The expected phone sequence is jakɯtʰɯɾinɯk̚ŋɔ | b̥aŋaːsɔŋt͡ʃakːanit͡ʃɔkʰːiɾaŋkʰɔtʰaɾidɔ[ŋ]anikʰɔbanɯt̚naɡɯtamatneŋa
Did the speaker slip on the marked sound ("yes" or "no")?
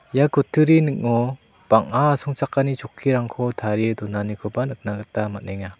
yes